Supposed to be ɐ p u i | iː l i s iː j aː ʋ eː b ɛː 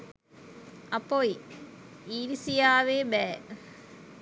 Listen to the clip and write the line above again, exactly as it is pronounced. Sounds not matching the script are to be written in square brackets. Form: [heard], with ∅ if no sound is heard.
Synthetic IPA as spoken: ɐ p [o] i | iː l i s [i] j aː ʋ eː b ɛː